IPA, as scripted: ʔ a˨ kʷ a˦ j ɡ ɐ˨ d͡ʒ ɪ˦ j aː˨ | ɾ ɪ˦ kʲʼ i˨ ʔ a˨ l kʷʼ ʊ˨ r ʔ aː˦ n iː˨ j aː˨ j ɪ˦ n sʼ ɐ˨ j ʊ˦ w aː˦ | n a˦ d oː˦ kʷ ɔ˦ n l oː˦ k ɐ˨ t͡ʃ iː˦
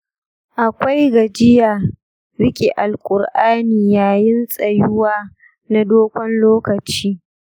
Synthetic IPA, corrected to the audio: ʔ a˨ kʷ a˦ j ɡ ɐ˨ d͡ʒ ɪ˦ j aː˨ | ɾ ɪ˦ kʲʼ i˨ ʔ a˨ l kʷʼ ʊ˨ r ʔ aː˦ n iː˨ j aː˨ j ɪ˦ n sʼ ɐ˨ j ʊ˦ w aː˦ | n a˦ d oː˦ kʷ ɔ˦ n l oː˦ k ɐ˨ t͡ʃ iː˦